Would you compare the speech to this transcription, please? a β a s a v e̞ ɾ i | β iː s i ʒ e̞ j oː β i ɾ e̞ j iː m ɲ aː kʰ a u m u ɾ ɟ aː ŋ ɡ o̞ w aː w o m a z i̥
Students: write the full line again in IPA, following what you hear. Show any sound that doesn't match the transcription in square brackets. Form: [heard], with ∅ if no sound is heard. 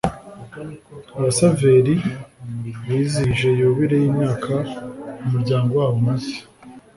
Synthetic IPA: a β a s a v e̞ ɾ i | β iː [z] i ʒ e̞ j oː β i ɾ e̞ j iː m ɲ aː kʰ a u m u ɾ ɟ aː ŋ ɡ o̞ w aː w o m a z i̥